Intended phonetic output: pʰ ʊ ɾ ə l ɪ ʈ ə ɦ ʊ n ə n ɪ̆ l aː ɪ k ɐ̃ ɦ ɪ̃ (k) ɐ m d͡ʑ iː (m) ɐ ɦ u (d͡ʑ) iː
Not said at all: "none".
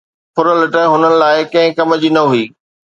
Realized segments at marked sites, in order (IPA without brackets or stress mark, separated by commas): k, n, none